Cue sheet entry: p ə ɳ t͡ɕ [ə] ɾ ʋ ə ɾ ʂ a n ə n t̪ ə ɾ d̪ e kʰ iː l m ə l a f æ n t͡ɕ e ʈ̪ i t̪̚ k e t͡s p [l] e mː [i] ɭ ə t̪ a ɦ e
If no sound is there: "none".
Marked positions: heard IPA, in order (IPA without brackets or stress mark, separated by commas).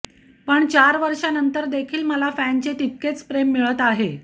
a, ɾ, i